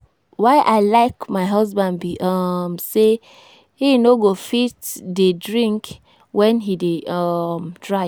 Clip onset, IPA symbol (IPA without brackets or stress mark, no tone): w